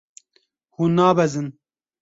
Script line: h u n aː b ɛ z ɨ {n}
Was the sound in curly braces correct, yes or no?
yes